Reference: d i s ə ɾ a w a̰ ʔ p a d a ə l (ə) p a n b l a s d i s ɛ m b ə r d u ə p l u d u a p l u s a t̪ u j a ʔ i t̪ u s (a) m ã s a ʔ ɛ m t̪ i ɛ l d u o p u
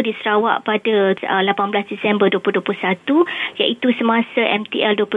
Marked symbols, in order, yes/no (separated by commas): no, no